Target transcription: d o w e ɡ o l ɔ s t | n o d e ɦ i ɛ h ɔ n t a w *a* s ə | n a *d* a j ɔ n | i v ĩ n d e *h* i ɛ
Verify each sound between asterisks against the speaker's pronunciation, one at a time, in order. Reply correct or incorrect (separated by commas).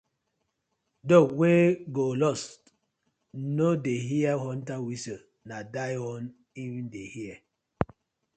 incorrect, correct, correct